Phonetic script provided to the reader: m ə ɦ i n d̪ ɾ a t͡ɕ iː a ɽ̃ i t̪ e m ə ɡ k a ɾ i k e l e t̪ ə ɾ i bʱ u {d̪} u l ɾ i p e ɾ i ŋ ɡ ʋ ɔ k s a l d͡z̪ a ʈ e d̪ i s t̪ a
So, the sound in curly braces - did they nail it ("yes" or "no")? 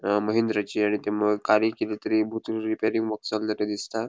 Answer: no